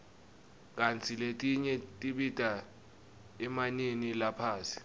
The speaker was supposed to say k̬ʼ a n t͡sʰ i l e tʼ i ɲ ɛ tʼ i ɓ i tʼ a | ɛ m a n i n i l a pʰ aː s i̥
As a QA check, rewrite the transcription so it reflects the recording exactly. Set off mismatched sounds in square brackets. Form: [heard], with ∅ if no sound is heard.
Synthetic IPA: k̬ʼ a n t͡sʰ i l e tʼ i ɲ ɛ tʼ i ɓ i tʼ a | ɛ m a n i n i l a pʰ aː s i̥